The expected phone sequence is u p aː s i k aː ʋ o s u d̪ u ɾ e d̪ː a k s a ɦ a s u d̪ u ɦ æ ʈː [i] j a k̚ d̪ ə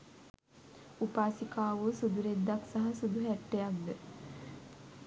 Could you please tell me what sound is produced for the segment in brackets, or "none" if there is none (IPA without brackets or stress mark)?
e